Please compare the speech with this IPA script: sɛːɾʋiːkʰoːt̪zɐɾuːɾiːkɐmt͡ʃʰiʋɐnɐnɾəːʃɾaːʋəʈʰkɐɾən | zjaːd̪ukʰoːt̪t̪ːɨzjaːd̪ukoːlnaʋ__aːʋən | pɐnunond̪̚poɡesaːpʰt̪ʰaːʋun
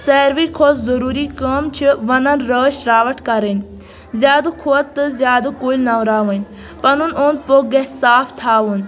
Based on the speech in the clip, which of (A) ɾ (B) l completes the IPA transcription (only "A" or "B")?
A